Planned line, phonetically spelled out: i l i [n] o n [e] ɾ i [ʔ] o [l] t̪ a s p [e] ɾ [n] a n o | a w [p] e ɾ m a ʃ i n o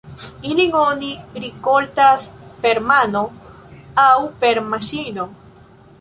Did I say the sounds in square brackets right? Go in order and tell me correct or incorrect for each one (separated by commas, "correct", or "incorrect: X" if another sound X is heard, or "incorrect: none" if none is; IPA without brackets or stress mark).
incorrect: ŋ, incorrect: i, incorrect: k, correct, correct, incorrect: m, correct